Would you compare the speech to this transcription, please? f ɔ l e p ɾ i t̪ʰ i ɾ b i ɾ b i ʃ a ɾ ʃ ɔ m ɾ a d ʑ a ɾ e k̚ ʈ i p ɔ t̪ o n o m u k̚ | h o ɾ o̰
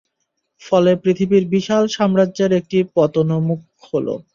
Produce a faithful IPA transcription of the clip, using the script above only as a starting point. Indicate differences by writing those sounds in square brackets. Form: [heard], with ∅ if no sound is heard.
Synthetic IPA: f ɔ l e p ɾ i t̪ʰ i [∅] b i ɾ b i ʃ a [l] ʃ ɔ m ɾ a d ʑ [e] ɾ e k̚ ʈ i p ɔ t̪ o n o m u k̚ | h o [l] o̰